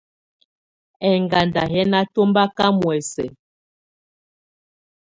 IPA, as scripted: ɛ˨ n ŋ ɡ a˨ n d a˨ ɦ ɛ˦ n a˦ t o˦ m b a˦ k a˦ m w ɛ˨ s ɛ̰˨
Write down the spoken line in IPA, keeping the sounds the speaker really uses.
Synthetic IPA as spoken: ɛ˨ ŋ ɡ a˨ n d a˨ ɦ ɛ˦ n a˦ t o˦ m b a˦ k a˦ m w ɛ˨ s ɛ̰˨